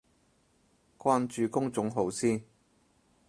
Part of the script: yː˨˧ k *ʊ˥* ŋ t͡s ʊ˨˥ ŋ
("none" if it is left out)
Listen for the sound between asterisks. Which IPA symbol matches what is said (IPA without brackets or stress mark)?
ʊ˥